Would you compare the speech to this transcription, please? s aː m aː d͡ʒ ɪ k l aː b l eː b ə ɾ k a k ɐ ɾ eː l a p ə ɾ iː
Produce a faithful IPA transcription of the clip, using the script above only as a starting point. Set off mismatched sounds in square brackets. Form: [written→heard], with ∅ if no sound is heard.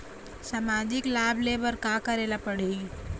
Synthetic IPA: s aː m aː d͡ʒ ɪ k l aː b l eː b ə ɾ k a k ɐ ɾ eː l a p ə [ɾ→ɽ] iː